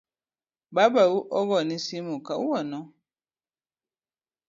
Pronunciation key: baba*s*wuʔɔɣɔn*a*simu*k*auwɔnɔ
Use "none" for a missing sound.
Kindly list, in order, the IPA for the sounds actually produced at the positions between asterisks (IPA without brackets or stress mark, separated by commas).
none, i, k